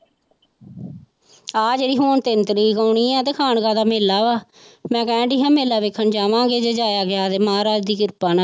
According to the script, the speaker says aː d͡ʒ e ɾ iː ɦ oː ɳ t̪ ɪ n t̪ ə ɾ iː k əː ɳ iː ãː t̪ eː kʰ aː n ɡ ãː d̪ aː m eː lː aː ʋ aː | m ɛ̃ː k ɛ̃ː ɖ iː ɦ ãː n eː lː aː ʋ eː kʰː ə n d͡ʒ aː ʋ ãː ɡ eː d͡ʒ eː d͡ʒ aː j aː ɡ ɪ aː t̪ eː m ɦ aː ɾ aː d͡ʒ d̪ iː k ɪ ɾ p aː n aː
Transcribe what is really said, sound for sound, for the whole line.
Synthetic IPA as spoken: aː d͡ʒ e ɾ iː ɦ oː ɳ t̪ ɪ n t̪ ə ɾ iː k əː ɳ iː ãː t̪ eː kʰ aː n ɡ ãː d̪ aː m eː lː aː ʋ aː | m ɛ̃ː k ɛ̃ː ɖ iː ɦ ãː m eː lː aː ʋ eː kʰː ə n d͡ʒ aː ʋ ãː ɡ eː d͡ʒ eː d͡ʒ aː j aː ɡ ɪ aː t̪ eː m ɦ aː ɾ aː d͡ʒ d̪ iː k ɪ ɾ p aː n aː